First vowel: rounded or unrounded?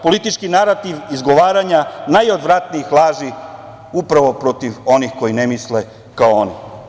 rounded